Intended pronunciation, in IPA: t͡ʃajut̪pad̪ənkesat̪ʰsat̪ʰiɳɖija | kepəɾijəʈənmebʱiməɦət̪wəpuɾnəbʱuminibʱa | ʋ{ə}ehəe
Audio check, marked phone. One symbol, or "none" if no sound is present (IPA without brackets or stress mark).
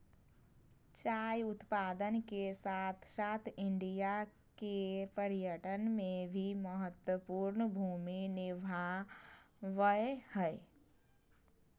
ə